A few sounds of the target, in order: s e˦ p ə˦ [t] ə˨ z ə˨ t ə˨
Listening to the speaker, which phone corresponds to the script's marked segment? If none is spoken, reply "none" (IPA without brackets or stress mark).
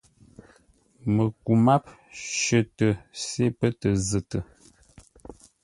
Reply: t